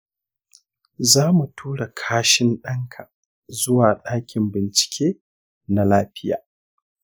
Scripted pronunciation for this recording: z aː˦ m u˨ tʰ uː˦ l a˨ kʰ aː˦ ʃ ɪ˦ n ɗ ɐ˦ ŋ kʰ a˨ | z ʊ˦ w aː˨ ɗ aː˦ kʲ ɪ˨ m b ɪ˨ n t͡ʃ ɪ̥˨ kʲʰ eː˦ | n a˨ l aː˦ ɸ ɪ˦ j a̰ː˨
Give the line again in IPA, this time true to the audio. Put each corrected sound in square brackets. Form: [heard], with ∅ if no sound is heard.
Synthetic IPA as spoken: z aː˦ m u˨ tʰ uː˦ [ɽ] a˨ kʰ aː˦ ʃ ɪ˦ n ɗ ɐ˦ ŋ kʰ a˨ | z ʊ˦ w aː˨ ɗ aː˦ kʲ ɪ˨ m b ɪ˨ n t͡ʃ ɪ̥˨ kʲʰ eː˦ | n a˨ l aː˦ ɸ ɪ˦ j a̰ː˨